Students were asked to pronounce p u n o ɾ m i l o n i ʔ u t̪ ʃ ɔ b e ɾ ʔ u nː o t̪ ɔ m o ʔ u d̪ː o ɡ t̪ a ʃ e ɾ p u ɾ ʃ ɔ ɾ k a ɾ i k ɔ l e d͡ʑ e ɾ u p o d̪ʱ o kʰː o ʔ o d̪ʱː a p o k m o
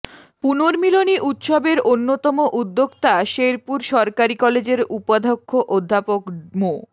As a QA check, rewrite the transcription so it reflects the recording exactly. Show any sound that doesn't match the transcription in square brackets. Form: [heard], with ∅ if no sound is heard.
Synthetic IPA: p u n o ɾ m i l o n i ʔ u t̪ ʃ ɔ b e ɾ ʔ [o] nː o t̪ ɔ m o ʔ u d̪ː o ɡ t̪ a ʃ e ɾ p u ɾ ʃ ɔ ɾ k a ɾ i k ɔ l e d͡ʑ e ɾ u p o d̪ʱ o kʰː o ʔ o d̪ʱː a p o k m o